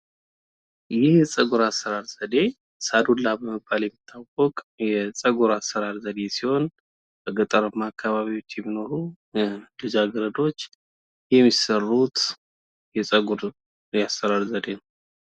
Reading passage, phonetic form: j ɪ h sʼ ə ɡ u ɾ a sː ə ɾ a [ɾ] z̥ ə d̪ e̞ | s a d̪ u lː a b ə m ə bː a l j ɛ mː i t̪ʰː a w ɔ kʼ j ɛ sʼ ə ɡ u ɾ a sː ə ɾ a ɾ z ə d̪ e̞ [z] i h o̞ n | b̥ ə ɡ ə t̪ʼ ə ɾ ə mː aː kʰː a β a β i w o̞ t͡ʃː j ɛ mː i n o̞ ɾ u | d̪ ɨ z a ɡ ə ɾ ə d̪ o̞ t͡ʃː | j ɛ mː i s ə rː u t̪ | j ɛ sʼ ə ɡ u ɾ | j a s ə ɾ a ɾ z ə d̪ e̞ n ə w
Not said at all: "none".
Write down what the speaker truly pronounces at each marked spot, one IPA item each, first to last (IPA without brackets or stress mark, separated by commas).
ɾ, s